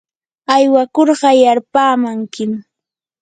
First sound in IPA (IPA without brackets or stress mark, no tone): a